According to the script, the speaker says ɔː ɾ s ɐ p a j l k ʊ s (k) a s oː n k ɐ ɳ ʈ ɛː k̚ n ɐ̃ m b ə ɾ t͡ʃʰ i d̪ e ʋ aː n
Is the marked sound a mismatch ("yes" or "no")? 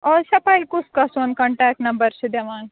no